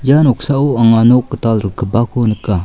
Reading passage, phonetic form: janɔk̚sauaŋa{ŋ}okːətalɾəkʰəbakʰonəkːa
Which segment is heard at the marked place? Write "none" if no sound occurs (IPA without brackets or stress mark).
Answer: n